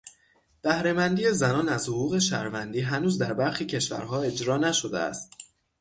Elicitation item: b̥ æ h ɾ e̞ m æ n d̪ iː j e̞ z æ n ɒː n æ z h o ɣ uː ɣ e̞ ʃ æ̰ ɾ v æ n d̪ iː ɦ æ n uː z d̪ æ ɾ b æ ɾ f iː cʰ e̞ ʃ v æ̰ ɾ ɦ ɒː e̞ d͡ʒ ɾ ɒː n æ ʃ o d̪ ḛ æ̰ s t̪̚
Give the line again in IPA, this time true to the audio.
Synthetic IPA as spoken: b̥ æ h ɾ e̞ m æ n d̪ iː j e̞ z æ n ɒː n æ z h o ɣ uː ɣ e̞ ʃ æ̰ ɾ v æ n d̪ iː ɦ æ n uː z d̪ æ ɾ b æ ɾ x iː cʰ e̞ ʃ v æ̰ ɾ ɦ ɒː e̞ d͡ʒ ɾ ɒː n æ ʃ o d̪ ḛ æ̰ s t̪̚